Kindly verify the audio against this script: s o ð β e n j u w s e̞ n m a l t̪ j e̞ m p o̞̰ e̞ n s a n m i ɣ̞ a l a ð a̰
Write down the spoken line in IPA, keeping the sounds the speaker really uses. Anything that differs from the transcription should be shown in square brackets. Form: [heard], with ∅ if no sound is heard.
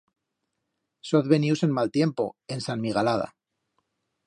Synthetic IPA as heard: s o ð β e n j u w s e̞ n m a l t̪ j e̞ m p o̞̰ e̞ n s a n m i ɣ̞ a l a ð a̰

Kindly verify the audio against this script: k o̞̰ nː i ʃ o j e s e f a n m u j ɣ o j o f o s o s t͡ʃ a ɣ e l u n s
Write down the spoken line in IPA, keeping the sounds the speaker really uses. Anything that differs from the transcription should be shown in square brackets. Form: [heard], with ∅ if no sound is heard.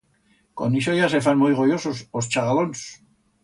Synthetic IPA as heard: k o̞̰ [n] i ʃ o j [a] s e f a n m u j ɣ o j o [s] o s o s t͡ʃ a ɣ [a] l [o] n s

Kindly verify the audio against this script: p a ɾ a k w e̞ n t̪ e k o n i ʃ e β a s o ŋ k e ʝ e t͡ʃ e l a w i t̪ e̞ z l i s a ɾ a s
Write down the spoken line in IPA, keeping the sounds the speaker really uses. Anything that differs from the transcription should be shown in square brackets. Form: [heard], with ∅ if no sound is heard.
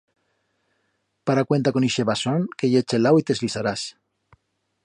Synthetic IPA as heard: p a ɾ a k w e̞ n t̪ [a] k o n i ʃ e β a s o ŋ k e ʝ e t͡ʃ e l a w i t̪ e̞ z l i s a ɾ a s

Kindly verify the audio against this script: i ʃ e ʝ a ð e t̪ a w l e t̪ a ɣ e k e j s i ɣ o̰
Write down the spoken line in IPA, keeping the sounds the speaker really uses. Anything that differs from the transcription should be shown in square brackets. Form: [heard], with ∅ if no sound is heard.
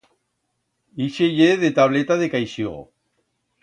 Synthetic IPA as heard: i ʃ e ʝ [e] ð e t̪ a [β] l e t̪ a [ð] e k [a] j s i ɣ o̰

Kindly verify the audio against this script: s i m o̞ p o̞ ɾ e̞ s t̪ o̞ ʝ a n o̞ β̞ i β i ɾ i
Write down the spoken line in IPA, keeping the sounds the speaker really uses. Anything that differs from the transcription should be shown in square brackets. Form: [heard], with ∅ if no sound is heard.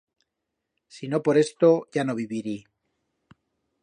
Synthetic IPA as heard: s i [n] o̞ p o̞ ɾ e̞ s t̪ o̞ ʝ a n o̞ β̞ i β i ɾ i

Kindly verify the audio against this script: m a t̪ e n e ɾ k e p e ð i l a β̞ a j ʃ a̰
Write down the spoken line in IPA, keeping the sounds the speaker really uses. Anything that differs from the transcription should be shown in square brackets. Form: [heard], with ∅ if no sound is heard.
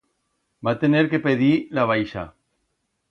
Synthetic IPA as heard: [b] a t̪ e n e ɾ k e p e ð i l a β̞ a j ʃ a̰

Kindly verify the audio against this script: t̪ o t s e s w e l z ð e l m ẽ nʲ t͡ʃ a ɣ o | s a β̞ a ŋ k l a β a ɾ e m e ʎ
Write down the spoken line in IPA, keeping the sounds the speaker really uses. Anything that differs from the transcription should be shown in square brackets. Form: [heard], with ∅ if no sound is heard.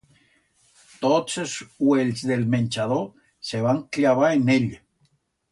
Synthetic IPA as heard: t̪ o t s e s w e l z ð e l m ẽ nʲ t͡ʃ a [ð] o | s [e] β̞ a ŋ k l a β a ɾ e [n] e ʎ

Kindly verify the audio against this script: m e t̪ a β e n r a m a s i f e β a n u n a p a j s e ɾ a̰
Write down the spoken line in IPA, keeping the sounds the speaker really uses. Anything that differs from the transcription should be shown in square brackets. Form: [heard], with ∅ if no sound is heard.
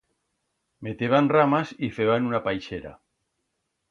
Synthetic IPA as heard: m e t̪ [e] β [a] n r a m a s i f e β a n u n a p a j [ʃ] e ɾ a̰

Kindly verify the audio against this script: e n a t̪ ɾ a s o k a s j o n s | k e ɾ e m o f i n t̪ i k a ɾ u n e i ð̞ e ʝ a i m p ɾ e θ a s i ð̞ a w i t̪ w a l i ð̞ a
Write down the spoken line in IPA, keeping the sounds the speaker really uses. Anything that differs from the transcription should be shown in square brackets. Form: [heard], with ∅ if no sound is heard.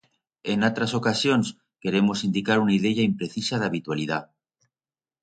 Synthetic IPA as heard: e n a t̪ ɾ a s o k a s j o n s | k e ɾ e m o [s] i n [d̪] i k a ɾ u n [a] i ð̞ e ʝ a i m p ɾ e θ [i] s [a] ð̞ a [β] i t̪ w a l i ð̞ a

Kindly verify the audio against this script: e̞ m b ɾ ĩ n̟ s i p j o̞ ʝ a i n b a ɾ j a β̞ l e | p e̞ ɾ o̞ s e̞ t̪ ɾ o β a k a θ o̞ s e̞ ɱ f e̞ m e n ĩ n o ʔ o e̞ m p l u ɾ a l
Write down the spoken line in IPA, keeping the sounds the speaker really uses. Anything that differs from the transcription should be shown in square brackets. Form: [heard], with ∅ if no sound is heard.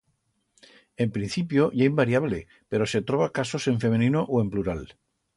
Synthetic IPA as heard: e̞ m [p] ɾ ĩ n̟ [θ] i p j o̞ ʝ a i [m] b a ɾ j a β̞ l e | p e̞ ɾ o̞ s e̞ t̪ ɾ o β a k a [s] o̞ s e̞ ɱ f e̞ m e n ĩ n o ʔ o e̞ m p l u ɾ a l

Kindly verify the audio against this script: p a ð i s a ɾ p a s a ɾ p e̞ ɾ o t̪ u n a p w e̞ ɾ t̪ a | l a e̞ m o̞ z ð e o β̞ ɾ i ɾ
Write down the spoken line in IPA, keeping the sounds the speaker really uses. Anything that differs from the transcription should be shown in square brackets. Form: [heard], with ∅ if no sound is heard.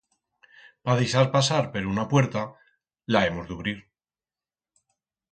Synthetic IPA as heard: p a ð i s a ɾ p a s a ɾ p e̞ ɾ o [∅] u n a p w e̞ ɾ t̪ a | l a e̞ m o̞ z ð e [u] β̞ ɾ i ɾ

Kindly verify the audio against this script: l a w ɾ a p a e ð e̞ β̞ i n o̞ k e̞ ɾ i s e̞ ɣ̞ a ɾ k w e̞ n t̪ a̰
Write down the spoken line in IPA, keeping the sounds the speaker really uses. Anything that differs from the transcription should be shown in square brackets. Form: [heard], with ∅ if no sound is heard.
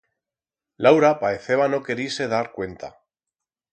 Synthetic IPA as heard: l a w ɾ a p a e [θ] e̞ β̞ [a] n o̞ k e̞ ɾ i s e̞ [ð̞] a ɾ k w e̞ n t̪ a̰

